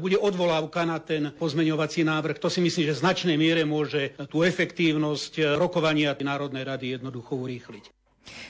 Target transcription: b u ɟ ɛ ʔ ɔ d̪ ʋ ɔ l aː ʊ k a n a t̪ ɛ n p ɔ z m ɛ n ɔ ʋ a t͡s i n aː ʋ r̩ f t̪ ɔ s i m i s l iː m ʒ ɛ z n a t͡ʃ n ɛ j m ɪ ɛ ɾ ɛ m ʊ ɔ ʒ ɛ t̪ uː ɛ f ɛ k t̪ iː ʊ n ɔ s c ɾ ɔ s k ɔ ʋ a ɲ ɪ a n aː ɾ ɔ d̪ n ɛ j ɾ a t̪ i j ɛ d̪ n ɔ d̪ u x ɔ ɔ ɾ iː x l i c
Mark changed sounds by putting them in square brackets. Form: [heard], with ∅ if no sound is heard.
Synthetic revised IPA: b u ɟ ɛ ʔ ɔ d̪ ʋ ɔ l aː ʊ k a n a t̪ ɛ n p ɔ z m ɛ [ɲ] ɔ ʋ a t͡s i n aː ʋ r̩ [x] t̪ ɔ s i m i s l iː m ʒ ɛ z n a t͡ʃ n ɛ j m ɪ ɛ ɾ ɛ m ʊ ɔ ʒ ɛ t̪ uː ɛ f ɛ k t̪ iː ʊ n ɔ s c ɾ ɔ [∅] k ɔ ʋ a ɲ ɪ a n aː ɾ ɔ d̪ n ɛ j ɾ a [d̪] i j ɛ d̪ n ɔ d̪ u x ɔ [u] ɾ iː x l i c